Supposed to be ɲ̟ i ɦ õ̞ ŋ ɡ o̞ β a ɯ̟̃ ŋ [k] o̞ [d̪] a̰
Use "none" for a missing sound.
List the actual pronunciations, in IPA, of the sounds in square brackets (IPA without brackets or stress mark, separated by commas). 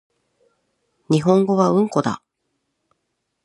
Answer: k, d̪